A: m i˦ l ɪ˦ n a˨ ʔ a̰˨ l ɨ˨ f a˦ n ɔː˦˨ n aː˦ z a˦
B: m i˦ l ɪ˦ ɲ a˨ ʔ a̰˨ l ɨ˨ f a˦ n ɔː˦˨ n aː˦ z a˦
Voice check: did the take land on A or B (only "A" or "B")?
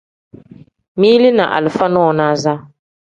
A